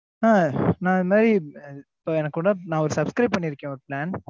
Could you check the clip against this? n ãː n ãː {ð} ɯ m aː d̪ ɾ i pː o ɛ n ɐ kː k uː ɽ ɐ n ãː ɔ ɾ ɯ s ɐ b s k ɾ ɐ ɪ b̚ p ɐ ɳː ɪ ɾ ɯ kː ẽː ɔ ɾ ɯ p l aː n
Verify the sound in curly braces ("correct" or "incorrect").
correct